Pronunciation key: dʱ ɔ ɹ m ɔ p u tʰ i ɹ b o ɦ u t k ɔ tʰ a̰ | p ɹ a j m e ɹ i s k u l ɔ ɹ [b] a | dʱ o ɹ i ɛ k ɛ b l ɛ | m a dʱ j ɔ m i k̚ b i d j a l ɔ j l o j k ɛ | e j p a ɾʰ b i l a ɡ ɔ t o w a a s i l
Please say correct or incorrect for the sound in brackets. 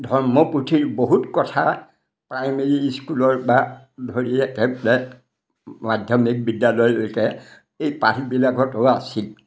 correct